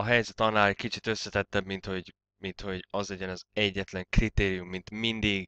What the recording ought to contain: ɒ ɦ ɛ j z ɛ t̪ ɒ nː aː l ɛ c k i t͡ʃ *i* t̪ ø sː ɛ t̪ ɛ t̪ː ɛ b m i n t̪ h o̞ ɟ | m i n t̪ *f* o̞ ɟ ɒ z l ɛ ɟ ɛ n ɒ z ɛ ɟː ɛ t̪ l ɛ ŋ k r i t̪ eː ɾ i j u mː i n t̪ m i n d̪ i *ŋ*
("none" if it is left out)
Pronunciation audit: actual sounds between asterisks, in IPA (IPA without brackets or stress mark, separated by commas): i, h, ɡ